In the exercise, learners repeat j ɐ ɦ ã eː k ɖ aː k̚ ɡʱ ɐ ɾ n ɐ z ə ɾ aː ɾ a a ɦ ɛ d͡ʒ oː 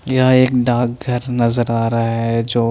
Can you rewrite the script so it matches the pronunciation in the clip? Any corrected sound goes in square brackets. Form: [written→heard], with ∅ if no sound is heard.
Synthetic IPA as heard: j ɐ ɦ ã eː k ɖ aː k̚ ɡʱ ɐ ɾ n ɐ z ə ɾ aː ɾ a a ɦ ɛ d͡ʒ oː

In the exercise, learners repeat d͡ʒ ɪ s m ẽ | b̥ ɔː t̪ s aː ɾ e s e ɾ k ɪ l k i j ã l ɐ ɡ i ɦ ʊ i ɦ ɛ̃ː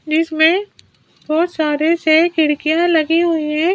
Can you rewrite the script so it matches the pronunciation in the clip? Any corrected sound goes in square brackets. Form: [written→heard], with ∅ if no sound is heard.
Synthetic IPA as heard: d͡ʒ ɪ s m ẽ | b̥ ɔː t̪ s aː ɾ e s e [ɾ→∅] k ɪ [l→ɽ] k i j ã l ɐ ɡ i ɦ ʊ i ɦ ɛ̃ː

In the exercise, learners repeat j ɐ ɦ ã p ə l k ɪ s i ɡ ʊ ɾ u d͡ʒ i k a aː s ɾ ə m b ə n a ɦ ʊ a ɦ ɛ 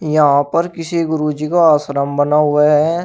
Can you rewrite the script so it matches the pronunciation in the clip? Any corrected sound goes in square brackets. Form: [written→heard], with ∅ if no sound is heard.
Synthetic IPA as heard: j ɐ ɦ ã p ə [l→ɾ] k ɪ s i ɡ ʊ ɾ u d͡ʒ i k a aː s ɾ ə m b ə n a ɦ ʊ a ɦ ɛ

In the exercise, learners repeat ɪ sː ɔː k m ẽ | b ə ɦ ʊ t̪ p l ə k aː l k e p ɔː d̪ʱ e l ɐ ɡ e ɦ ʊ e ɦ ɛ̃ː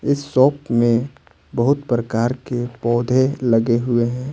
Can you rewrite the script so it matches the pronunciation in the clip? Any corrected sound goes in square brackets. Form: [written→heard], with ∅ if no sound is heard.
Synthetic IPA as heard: ɪ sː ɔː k m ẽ | b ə ɦ ʊ t̪ p [l→ɾ] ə k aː [l→ɾ] k e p ɔː d̪ʱ e l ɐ ɡ e ɦ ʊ e ɦ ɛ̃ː

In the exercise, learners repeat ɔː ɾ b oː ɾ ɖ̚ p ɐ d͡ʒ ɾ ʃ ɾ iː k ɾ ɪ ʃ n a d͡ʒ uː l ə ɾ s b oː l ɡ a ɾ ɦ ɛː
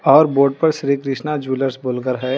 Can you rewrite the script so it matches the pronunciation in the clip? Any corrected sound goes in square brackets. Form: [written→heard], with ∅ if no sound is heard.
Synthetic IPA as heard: ɔː ɾ b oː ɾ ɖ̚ p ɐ [d͡ʒ→∅] ɾ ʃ ɾ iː k ɾ ɪ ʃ n a d͡ʒ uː l ə ɾ s b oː l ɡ [a→ə] ɾ ɦ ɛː

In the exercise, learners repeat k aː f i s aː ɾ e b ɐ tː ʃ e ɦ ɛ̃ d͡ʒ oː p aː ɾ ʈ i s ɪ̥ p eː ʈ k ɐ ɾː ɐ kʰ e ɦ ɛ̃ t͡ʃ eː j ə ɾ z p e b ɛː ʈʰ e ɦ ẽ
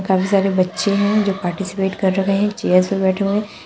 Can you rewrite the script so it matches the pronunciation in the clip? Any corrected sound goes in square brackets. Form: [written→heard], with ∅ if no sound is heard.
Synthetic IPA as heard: k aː f i s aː ɾ e b ɐ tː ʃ e ɦ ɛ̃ d͡ʒ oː p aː ɾ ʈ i s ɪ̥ p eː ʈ k ɐ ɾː ɐ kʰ e ɦ ɛ̃ t͡ʃ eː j ə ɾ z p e b ɛː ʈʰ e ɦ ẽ

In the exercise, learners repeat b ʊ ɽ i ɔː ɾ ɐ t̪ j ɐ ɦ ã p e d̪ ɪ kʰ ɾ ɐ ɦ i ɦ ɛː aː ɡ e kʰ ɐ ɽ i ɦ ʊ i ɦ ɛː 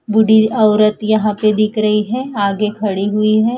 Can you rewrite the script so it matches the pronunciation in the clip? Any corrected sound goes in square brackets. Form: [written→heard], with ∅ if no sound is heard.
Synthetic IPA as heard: b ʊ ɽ i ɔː ɾ [ɐ→ə] t̪ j ɐ ɦ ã p e d̪ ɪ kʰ ɾ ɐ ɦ i ɦ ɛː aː ɡ e kʰ ɐ ɽ i ɦ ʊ i ɦ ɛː

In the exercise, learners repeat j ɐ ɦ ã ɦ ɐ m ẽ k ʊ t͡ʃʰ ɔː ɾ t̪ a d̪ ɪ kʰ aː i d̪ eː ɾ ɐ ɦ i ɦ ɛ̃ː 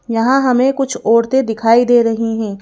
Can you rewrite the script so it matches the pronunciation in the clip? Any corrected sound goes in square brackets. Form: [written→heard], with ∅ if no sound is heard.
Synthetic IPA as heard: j ɐ ɦ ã ɦ ɐ m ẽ k ʊ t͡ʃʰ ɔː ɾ t̪ [a→e] d̪ ɪ kʰ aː i d̪ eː ɾ ɐ ɦ i ɦ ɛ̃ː

